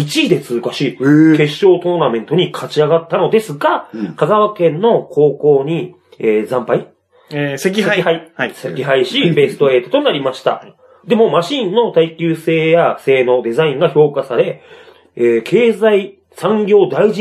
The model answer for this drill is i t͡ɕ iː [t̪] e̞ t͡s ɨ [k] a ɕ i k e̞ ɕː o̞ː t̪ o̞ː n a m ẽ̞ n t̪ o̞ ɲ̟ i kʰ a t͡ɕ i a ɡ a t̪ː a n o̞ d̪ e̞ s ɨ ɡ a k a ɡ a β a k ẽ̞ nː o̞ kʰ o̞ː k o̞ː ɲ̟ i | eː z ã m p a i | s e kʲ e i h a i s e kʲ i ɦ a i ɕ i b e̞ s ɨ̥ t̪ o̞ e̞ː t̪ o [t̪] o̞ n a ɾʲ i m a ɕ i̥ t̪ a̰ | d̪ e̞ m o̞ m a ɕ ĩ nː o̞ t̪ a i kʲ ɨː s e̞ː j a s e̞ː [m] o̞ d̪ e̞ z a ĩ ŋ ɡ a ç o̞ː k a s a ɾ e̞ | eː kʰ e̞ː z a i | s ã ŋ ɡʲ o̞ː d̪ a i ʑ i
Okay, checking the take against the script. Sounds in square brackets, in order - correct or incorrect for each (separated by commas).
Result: incorrect, correct, correct, incorrect